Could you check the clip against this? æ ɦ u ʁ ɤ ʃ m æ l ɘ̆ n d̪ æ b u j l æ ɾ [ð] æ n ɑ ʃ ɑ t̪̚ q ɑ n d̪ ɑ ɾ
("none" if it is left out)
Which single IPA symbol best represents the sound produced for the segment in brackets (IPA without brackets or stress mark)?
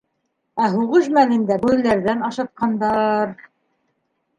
ð